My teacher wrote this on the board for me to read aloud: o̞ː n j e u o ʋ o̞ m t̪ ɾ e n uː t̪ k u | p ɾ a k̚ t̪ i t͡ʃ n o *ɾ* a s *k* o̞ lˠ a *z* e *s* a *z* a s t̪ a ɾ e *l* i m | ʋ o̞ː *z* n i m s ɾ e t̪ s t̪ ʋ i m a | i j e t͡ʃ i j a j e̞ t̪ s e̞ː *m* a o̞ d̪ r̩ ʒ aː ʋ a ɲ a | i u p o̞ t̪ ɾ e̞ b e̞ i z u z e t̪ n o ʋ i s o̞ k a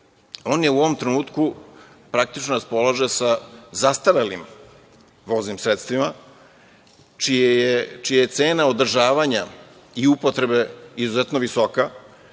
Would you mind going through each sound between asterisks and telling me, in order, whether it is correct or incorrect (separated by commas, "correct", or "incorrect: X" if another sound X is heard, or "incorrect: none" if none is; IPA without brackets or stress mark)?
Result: correct, incorrect: p, incorrect: ʒ, correct, correct, correct, correct, incorrect: n